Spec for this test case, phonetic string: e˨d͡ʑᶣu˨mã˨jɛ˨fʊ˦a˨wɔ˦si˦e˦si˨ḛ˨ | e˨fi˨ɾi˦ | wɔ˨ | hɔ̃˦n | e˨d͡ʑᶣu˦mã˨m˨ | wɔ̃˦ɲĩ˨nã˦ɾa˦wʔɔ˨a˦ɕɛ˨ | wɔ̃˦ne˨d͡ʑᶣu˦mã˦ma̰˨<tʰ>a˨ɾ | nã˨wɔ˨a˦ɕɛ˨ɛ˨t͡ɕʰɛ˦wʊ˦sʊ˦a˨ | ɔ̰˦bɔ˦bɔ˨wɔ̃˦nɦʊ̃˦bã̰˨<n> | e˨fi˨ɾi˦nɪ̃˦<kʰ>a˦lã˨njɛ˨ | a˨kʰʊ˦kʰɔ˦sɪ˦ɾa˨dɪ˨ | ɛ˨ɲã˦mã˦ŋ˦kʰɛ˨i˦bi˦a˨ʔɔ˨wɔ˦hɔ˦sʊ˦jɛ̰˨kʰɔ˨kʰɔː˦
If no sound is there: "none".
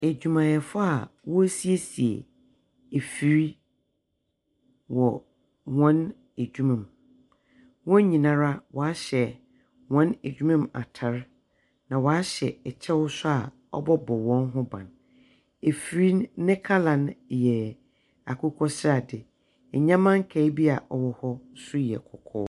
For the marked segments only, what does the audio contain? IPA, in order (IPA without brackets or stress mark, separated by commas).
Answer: tʰ, n, kʰ